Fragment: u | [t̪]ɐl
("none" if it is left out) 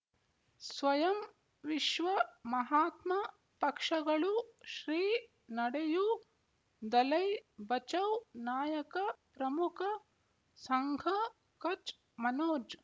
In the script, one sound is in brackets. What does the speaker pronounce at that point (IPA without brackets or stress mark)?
d̪